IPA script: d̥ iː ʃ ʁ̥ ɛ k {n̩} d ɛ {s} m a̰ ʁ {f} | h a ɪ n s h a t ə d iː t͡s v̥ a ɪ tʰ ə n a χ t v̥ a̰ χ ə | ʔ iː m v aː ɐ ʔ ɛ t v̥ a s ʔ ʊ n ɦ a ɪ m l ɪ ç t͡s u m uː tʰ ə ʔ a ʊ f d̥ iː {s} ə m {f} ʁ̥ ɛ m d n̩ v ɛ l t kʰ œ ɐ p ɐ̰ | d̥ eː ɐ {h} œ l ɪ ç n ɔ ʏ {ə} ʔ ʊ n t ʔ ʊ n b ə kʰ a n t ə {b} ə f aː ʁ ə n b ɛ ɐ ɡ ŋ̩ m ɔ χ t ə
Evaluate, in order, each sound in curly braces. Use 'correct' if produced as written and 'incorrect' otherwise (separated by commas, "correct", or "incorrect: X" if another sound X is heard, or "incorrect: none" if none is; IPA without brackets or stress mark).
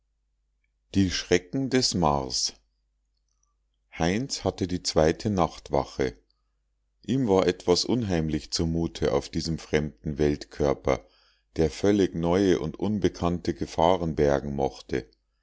incorrect: ŋ̩, correct, incorrect: s, incorrect: z, correct, incorrect: f, correct, incorrect: ɡ